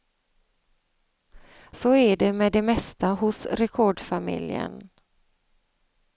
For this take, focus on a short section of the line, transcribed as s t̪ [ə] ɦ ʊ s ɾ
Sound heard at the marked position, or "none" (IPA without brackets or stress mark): a